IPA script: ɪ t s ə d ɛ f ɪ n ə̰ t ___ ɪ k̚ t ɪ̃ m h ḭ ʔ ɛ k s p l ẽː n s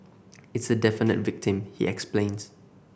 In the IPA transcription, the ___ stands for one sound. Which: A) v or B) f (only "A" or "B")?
A